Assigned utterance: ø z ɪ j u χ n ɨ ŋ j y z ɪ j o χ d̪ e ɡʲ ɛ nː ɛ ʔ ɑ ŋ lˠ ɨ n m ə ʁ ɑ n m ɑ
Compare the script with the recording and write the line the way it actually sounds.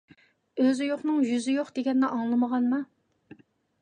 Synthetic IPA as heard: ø z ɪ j o χ n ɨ ŋ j y z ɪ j o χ d̪ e ɡʲ ɛ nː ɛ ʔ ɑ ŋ lˠ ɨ m ə ʁ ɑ n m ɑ